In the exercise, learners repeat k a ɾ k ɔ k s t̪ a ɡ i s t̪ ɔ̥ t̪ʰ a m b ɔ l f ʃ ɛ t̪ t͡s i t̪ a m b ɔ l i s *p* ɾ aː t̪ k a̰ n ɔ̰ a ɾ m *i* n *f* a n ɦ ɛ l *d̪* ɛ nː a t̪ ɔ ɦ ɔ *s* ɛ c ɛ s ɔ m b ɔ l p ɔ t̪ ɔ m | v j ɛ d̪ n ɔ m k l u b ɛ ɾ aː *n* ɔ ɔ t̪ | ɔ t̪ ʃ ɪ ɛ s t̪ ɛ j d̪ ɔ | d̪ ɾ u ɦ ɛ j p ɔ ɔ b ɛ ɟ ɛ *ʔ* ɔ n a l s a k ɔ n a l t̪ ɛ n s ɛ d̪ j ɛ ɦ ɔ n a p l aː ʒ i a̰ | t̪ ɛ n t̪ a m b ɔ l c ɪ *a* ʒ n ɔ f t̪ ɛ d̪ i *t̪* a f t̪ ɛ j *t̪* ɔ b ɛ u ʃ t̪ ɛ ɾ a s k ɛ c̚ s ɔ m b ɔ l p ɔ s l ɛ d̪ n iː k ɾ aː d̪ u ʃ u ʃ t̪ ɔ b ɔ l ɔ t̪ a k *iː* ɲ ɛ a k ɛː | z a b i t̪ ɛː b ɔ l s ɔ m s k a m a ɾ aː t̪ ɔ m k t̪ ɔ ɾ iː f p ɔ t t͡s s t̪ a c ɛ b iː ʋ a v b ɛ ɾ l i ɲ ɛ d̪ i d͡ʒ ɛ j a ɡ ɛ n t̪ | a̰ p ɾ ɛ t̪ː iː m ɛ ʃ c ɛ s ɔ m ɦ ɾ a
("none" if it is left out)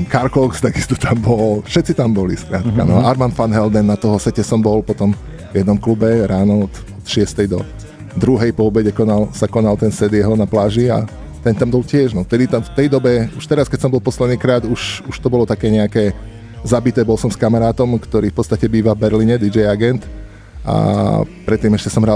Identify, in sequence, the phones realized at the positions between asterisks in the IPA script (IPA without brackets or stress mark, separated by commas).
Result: k, a, f, d̪, s, n, k, ɛ, t̪, d̪, ɛː